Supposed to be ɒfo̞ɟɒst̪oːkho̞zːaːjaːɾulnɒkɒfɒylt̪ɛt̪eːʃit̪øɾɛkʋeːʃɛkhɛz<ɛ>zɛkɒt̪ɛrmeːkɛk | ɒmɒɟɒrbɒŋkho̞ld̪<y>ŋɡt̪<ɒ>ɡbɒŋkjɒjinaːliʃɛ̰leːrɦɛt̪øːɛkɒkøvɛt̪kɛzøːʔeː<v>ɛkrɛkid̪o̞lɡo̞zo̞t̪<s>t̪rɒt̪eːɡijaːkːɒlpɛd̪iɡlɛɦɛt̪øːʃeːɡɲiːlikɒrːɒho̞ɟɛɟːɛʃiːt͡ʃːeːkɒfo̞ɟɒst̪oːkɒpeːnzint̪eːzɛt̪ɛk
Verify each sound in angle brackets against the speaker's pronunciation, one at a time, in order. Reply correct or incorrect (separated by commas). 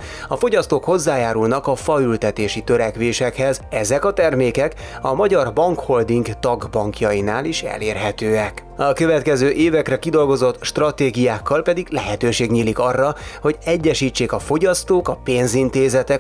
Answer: correct, incorrect, correct, correct, incorrect